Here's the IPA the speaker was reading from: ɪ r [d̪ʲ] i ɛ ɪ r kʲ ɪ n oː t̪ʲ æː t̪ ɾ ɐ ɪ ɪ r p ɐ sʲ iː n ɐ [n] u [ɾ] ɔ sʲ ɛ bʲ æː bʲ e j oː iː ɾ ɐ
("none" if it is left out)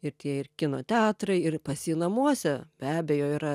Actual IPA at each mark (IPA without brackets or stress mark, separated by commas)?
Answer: t̪ʲ, m, none